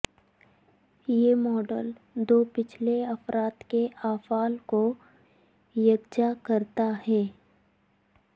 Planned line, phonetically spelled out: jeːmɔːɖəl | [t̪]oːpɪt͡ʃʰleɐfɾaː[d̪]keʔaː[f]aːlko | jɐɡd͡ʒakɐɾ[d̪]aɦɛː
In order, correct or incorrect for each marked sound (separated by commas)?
incorrect, incorrect, correct, incorrect